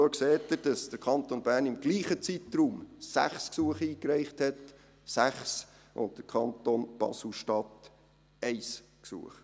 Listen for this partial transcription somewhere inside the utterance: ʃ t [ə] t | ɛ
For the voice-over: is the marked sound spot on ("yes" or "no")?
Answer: no